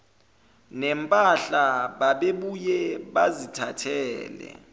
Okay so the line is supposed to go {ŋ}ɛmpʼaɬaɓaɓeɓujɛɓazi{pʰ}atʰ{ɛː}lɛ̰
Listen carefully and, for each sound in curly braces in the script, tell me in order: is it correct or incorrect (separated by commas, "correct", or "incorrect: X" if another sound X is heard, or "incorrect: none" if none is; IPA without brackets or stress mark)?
incorrect: n, incorrect: tʰ, correct